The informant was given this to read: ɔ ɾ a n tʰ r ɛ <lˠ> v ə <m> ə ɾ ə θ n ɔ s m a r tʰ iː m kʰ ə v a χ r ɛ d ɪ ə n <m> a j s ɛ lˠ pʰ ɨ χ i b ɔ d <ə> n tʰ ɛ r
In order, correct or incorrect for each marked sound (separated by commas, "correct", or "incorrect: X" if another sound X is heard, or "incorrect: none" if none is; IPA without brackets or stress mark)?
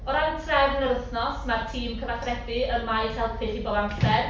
incorrect: none, incorrect: n, correct, incorrect: a